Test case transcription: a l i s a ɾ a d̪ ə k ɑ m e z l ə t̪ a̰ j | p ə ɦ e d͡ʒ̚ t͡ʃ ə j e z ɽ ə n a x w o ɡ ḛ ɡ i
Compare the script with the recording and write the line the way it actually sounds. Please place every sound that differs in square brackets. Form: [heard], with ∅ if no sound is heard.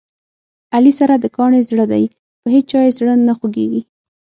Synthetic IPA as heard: a l i s a ɾ a d̪ ə k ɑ [ɳ] e z [ɽ] ə [d̪] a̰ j | p ə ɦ e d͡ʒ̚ t͡ʃ [ɑ] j e z ɽ ə n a x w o ɡ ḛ ɡ i